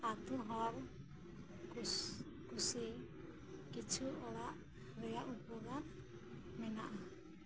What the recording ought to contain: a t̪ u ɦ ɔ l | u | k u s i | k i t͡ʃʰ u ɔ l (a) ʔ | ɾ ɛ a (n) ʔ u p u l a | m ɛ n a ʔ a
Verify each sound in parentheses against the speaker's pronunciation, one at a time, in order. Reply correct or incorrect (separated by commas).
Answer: correct, incorrect